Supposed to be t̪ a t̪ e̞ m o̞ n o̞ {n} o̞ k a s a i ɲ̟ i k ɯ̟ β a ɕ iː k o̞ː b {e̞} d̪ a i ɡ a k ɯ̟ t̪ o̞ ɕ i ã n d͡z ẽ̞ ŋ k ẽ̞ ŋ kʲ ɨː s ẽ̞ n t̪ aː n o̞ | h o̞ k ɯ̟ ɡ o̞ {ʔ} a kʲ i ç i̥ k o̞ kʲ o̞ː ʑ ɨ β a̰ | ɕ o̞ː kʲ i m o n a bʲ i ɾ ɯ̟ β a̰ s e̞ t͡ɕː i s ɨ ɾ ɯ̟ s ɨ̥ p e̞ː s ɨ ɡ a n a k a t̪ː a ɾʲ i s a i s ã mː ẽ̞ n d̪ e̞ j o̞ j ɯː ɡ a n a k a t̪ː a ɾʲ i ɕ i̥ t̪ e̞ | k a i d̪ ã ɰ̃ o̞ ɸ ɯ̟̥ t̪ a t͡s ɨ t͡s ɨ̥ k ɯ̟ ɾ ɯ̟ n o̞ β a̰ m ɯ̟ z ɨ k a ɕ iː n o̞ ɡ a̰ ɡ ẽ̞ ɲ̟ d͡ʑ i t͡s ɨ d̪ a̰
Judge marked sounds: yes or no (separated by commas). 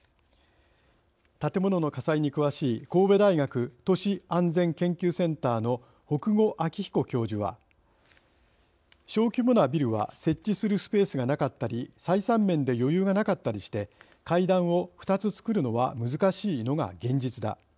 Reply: yes, yes, yes